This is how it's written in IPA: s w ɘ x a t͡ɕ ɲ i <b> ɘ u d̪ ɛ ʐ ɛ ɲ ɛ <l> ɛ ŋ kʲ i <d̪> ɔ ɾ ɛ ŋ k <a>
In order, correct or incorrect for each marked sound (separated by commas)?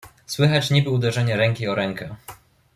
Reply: correct, incorrect, incorrect, incorrect